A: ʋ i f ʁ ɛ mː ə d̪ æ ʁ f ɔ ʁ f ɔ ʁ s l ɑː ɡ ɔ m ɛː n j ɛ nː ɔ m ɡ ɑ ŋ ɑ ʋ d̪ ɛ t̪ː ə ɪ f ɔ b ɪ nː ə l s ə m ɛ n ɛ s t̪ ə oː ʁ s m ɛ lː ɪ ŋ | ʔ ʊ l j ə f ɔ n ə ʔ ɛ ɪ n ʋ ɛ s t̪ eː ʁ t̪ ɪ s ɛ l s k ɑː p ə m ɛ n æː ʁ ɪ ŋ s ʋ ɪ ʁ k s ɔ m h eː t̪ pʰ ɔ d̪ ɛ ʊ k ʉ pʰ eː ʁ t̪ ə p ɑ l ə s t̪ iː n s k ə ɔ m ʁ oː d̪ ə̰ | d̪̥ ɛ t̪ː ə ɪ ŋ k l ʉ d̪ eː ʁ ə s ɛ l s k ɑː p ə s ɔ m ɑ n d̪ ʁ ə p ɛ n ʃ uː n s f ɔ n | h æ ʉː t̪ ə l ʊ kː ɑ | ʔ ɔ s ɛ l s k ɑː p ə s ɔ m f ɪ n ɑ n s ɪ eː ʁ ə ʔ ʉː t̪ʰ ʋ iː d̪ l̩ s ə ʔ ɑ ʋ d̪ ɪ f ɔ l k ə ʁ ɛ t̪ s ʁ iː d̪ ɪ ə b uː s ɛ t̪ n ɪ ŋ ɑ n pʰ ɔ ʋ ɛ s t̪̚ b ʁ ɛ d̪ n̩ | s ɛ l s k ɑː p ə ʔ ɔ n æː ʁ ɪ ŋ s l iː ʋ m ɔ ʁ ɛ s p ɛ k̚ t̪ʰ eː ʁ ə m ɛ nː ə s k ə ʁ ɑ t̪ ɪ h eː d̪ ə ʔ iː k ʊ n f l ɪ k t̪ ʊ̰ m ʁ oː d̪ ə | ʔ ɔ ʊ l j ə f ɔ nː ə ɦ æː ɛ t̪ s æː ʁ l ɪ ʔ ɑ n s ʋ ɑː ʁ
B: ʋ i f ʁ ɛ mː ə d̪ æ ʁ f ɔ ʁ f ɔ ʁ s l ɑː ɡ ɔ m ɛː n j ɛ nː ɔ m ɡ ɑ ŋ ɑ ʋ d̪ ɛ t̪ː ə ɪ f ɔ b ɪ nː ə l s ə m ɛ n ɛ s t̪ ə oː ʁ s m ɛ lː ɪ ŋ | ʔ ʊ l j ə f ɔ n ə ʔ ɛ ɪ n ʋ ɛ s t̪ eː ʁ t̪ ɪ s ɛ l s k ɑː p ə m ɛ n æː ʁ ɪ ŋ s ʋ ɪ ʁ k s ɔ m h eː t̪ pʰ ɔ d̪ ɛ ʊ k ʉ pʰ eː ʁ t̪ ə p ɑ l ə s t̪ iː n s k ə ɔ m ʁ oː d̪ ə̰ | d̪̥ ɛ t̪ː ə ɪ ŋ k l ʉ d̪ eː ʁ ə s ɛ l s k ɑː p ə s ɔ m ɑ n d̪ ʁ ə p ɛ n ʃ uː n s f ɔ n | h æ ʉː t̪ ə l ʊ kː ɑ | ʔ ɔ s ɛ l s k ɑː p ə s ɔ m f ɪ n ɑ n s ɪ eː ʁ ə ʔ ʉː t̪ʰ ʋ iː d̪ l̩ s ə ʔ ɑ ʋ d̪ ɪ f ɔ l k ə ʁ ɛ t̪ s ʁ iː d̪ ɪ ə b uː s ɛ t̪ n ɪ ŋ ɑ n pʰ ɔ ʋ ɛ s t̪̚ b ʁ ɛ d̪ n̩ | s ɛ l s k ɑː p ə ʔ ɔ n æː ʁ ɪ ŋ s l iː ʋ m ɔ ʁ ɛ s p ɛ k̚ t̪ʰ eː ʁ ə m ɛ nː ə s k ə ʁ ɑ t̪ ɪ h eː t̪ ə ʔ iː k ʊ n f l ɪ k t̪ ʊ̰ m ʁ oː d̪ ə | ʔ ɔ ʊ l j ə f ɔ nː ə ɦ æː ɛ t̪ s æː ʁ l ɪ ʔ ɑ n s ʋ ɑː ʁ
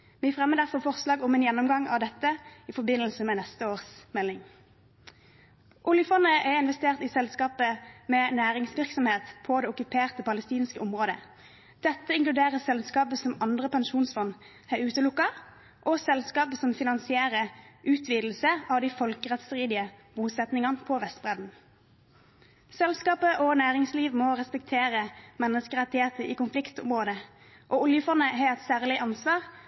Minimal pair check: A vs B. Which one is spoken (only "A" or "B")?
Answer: B